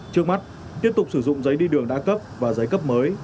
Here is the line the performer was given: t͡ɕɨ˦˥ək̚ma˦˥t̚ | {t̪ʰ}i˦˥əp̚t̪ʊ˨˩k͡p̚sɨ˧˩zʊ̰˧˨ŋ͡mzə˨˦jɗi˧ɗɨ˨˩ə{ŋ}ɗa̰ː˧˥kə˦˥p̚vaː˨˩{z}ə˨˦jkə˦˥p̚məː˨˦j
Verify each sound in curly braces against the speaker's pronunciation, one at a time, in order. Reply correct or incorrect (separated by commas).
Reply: incorrect, correct, correct